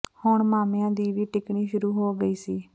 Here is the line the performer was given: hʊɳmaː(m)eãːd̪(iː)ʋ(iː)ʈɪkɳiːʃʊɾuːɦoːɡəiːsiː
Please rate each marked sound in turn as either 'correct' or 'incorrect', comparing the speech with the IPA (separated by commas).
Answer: correct, correct, correct